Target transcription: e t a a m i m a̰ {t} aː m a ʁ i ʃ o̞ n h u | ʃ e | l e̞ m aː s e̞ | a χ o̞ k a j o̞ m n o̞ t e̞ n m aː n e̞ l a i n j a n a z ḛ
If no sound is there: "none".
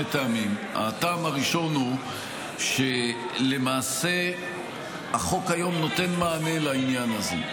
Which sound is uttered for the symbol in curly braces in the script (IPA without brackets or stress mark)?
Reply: t